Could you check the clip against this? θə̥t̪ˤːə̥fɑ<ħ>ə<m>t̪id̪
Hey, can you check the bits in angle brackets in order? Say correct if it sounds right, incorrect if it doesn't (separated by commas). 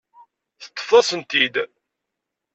incorrect, incorrect